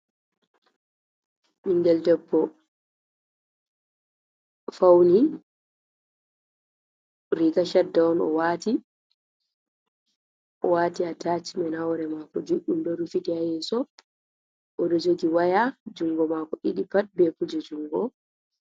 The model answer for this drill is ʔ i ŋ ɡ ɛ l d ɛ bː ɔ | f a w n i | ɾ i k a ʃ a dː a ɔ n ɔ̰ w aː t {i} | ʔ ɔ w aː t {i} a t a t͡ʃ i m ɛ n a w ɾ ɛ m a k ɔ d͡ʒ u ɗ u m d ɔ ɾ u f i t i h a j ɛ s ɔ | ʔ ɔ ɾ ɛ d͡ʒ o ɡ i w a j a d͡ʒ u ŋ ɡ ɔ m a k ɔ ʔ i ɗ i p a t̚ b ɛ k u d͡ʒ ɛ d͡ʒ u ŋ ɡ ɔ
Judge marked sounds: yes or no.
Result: yes, yes

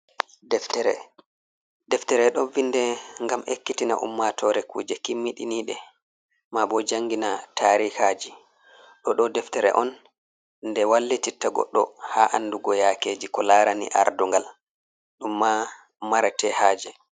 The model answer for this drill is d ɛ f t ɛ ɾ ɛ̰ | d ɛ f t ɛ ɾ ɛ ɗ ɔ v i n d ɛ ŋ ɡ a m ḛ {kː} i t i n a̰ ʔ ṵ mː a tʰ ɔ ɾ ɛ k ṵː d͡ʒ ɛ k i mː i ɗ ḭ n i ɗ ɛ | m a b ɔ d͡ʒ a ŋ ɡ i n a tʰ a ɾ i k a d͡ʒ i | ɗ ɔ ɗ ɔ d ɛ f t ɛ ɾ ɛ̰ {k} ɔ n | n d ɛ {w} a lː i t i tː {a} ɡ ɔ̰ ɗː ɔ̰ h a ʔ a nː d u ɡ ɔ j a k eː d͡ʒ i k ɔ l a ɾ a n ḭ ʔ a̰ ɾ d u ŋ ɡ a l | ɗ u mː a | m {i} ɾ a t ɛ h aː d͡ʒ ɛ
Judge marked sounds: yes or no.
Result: yes, no, yes, yes, no

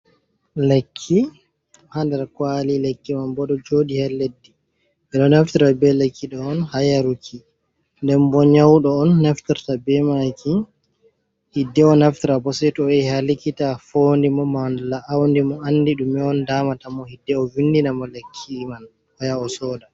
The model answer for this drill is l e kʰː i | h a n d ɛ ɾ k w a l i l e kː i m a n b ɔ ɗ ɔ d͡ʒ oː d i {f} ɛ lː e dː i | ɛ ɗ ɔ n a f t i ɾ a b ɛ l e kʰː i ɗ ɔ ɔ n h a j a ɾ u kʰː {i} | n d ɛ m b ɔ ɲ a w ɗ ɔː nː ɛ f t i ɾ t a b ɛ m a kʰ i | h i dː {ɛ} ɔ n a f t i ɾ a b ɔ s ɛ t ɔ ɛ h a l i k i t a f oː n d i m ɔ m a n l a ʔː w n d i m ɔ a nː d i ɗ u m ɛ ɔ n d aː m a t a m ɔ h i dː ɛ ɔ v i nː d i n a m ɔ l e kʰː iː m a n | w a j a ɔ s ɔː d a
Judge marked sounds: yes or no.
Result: no, yes, yes

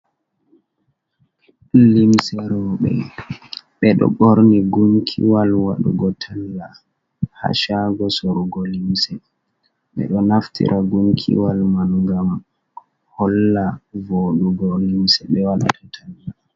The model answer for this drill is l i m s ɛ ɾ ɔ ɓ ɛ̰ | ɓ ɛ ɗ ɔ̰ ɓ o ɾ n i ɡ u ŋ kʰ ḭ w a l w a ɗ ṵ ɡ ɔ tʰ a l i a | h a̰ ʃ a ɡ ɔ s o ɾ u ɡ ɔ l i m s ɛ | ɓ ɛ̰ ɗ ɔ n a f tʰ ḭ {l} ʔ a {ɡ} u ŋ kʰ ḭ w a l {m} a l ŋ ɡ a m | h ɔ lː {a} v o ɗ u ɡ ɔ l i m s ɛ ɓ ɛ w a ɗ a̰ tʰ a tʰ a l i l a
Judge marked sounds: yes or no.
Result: no, yes, yes, yes

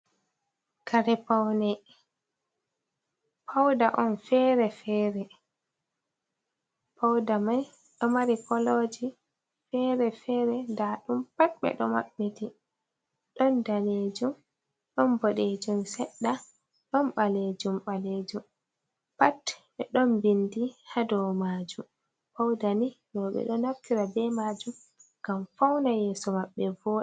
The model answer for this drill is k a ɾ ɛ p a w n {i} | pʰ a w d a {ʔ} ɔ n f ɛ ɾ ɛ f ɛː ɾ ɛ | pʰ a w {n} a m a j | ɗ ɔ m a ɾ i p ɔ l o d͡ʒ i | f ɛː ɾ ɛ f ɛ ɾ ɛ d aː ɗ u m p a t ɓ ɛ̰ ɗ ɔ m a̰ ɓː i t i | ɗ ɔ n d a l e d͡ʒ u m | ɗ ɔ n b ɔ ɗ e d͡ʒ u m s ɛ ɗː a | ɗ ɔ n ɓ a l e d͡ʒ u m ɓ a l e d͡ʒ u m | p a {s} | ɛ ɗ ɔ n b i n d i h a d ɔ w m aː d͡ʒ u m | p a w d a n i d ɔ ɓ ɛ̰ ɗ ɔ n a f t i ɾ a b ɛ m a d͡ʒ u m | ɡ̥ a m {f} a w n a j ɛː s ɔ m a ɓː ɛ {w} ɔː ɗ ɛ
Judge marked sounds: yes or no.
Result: no, yes, no, no, yes, no

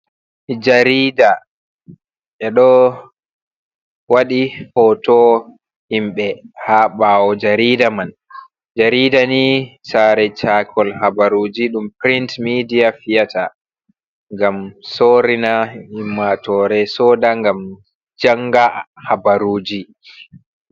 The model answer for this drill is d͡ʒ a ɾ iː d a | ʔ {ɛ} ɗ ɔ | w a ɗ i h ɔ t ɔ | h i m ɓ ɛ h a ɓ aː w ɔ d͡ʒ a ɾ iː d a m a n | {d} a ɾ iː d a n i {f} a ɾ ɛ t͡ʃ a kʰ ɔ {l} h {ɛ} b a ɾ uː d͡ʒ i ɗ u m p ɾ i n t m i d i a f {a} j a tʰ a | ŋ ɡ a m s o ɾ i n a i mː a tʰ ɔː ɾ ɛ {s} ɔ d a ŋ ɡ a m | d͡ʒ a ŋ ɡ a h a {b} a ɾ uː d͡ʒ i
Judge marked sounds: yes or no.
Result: yes, no, no, yes, no, no, yes, yes

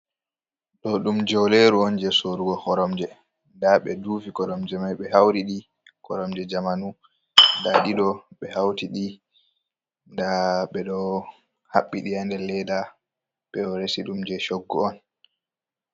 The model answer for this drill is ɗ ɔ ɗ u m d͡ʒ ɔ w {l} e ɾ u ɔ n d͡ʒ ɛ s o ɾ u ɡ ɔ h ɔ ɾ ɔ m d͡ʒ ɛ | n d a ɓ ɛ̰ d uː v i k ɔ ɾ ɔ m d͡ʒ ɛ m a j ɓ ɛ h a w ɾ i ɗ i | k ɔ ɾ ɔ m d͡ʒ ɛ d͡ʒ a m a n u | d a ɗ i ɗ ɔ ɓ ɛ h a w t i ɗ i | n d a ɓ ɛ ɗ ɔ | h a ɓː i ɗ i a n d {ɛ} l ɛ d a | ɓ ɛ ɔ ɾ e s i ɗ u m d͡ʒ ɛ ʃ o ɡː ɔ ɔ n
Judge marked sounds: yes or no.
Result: yes, yes

